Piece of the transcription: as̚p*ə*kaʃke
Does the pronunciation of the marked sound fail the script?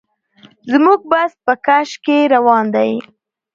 no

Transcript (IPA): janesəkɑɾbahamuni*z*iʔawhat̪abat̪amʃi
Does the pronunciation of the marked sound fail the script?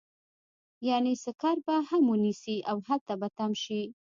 yes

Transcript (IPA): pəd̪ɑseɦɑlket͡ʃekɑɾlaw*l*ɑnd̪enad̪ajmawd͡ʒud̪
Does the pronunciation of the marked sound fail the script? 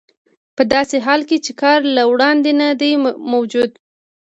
yes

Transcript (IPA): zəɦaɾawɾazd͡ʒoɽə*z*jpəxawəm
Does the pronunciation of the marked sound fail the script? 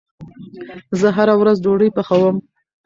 yes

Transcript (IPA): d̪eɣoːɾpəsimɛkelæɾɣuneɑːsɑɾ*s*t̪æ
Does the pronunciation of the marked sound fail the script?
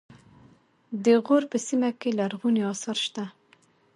yes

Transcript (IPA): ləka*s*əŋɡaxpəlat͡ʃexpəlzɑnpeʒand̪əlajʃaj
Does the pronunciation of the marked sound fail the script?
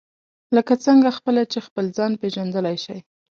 yes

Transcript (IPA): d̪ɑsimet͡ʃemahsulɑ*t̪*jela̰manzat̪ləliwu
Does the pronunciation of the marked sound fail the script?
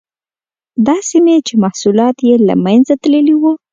no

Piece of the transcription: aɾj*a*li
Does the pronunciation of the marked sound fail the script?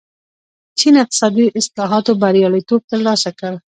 yes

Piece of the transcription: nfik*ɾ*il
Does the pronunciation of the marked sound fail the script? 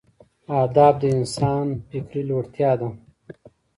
no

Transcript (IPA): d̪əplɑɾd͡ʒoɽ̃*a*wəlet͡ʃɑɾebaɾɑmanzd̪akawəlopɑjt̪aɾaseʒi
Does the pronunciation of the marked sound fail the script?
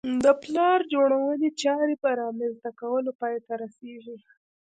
no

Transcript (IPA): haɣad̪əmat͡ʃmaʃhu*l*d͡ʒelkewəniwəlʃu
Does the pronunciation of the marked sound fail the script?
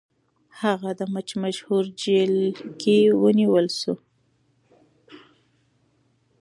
yes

